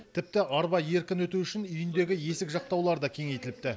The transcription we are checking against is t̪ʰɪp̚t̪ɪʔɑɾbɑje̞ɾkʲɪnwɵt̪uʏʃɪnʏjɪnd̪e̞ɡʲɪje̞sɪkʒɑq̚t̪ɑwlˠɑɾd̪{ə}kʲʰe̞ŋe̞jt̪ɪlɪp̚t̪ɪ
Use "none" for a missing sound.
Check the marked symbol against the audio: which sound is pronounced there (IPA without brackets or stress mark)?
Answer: ɑ